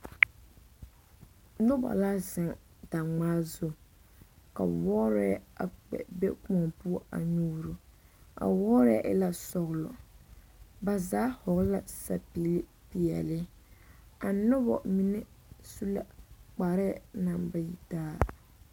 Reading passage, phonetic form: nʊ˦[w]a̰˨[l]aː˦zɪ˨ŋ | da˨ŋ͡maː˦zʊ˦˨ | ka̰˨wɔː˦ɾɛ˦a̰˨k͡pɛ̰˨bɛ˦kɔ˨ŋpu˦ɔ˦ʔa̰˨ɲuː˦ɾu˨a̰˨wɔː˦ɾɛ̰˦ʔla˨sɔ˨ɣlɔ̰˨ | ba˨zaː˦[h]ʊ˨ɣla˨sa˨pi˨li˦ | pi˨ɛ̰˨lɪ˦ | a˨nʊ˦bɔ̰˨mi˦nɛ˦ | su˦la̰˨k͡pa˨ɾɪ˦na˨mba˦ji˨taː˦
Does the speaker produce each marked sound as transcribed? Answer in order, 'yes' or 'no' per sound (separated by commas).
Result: no, yes, yes